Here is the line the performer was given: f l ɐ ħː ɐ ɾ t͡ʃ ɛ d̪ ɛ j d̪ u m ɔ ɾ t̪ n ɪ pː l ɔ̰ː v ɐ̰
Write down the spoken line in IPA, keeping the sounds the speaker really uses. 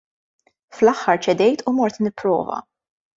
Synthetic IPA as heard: f l ɐ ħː ɐ ɾ t͡ʃ ɛ d̪ ɛ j t̪ u m ɔ ɾ t̪ n ɪ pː ɾ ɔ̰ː v ɐ̰